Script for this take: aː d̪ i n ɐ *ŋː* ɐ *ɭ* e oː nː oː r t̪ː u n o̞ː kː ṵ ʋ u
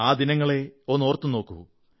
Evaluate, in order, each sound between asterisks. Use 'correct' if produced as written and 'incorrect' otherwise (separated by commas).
correct, correct